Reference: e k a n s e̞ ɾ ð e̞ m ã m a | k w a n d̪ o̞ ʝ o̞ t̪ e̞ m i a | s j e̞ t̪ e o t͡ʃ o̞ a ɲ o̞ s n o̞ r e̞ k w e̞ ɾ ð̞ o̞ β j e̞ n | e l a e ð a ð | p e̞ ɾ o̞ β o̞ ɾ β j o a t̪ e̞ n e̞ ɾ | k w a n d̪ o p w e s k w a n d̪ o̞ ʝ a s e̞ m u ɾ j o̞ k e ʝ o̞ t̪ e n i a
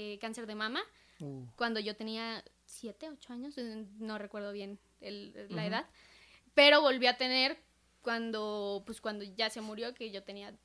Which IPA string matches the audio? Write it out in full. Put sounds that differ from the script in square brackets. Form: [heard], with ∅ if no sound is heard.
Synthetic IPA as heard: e k a n s e̞ ɾ ð e̞ m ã m a | k w a n d̪ o̞ ʝ o̞ t̪ e̞ [n] i a | s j e̞ t̪ e o t͡ʃ o̞ a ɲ o̞ s n o̞ r e̞ k w e̞ ɾ ð̞ o̞ β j e̞ n | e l a e ð a ð | p e̞ ɾ o̞ β o̞ [l] β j o a t̪ e̞ n e̞ ɾ | k w a n d̪ o p w e s k w a n d̪ o̞ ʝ a s e̞ m u ɾ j o̞ k e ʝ o̞ t̪ e n i a